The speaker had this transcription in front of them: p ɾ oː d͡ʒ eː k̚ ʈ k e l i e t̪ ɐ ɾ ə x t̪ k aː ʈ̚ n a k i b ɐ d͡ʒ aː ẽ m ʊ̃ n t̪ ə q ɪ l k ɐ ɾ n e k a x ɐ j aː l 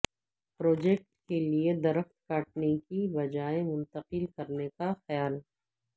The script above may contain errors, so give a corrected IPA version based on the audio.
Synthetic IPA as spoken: p ɾ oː d͡ʒ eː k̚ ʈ k e l i e d̪ ɐ ɾ ə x t̪ k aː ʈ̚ n e k i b ɐ d͡ʒ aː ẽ m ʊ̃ n t̪ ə q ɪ l k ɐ ɾ n e k a x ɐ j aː l